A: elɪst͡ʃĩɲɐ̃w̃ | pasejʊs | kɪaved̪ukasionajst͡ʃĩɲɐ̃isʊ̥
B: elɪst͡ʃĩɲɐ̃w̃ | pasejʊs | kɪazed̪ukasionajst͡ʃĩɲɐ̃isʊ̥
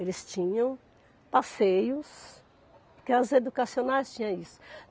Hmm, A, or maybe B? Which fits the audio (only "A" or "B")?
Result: B